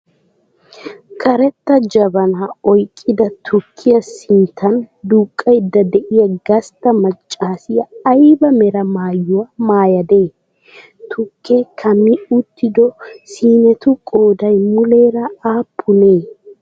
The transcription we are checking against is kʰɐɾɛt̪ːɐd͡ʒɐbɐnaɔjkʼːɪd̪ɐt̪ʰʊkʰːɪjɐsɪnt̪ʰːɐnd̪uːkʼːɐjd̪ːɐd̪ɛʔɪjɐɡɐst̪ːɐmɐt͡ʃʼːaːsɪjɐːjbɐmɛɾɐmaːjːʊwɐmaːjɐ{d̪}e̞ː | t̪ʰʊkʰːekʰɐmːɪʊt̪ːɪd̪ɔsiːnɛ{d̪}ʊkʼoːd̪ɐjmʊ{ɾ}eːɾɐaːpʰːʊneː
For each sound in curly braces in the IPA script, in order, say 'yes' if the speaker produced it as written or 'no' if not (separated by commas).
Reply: yes, no, no